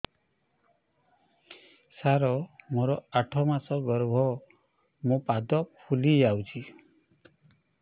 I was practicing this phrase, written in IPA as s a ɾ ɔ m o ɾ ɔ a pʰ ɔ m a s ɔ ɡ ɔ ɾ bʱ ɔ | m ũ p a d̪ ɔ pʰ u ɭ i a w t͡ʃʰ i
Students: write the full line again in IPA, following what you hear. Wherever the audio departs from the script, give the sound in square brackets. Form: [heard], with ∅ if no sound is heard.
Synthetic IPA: s a ɾ ɔ m o ɾ ɔ a [ʈʰ] ɔ m a s ɔ ɡ ɔ ɾ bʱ ɔ | m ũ p a d̪ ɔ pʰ u [l] i a w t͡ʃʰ i